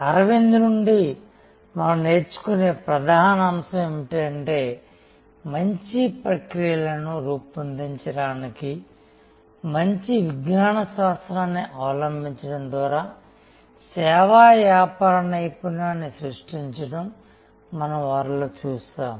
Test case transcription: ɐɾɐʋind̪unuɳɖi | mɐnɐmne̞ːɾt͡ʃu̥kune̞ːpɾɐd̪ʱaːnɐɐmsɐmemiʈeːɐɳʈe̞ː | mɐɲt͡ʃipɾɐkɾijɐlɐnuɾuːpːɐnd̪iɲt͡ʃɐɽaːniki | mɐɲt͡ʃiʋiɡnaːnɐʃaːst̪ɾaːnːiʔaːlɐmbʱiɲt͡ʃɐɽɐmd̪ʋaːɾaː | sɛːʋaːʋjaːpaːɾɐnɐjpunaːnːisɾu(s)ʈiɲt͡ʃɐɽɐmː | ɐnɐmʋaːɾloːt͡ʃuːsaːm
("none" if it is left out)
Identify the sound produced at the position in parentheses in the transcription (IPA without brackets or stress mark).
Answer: ʂ